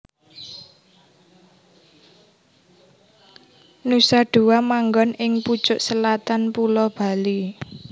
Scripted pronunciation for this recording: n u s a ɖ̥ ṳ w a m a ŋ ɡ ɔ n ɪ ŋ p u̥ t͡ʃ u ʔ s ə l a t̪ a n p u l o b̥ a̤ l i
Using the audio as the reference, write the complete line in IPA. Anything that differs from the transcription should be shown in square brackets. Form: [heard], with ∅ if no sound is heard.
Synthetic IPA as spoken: n u s a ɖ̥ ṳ w a m a ŋ ɡ ɔ n ɪ ŋ p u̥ t͡ʃ [ʊ] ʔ s ə l a t̪ a n p u l [ɔ] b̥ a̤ l i